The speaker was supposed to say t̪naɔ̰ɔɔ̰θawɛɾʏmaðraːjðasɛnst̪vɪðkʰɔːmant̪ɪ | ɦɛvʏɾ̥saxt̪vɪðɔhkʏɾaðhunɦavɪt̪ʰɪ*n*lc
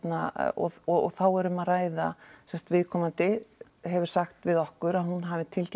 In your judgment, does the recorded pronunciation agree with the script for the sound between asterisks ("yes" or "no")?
no